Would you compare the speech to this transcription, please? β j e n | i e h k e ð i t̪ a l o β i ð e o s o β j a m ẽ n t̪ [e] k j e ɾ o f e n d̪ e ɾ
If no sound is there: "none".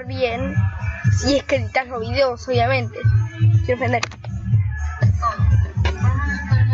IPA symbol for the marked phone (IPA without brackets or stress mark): e